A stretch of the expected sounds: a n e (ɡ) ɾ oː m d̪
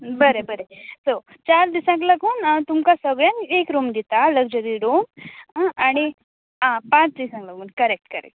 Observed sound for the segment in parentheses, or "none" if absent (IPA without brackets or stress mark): k